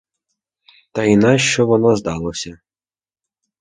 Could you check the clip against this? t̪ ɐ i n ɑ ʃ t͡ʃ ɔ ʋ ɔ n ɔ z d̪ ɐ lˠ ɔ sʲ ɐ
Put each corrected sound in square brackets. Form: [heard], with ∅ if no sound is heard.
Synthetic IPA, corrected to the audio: t̪ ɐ i n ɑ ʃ t͡ʃ ɔ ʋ ɔ n ɔ z d̪ [ɑ] lˠ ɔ sʲ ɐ